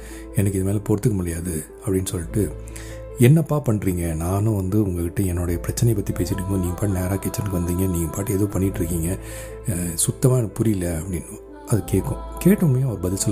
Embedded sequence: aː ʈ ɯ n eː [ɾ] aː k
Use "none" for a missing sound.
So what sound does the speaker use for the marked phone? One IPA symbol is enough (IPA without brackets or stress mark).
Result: ɾ